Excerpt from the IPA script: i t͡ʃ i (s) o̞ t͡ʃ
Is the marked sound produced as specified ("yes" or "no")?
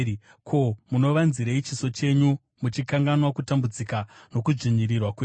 yes